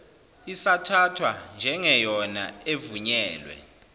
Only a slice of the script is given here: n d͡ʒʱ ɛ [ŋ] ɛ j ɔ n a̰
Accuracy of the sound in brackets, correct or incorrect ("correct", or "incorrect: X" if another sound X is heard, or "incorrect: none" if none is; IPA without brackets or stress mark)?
correct